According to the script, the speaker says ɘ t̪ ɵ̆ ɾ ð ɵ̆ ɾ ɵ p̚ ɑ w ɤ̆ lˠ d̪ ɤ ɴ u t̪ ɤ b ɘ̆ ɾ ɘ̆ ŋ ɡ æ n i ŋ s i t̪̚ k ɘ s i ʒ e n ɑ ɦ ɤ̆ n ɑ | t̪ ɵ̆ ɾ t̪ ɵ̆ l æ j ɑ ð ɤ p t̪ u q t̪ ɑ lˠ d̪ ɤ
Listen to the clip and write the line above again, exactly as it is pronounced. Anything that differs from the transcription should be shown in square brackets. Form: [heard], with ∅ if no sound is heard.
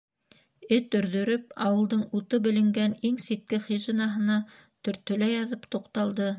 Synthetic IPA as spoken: ɘ t̪ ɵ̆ ɾ ð ɵ̆ ɾ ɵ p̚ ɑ w ɤ̆ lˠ d̪ ɤ ɴ u t̪ ɤ b ɘ̆ [l] ɘ̆ ŋ ɡ æ n i ŋ s i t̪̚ k ɘ [χ] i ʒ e n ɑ ɦ ɤ̆ n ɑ | t̪ ɵ̆ ɾ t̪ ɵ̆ l æ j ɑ ð ɤ p t̪ u q t̪ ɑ lˠ d̪ ɤ